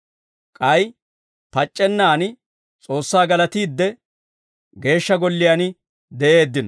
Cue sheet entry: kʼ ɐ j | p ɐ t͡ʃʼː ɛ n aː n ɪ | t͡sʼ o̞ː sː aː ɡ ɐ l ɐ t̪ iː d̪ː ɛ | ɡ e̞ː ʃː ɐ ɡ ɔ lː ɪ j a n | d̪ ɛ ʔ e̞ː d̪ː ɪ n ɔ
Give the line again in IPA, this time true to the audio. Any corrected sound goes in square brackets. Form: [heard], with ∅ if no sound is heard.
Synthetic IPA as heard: kʼ ɐ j | p ɐ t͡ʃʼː ɛ [nː] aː n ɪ | t͡sʼ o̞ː sː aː ɡ ɐ l ɐ t̪ iː d̪ː ɛ | ɡ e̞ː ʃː ɐ ɡ ɔ lː ɪ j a n | d̪ ɛ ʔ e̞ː d̪ː ɪ n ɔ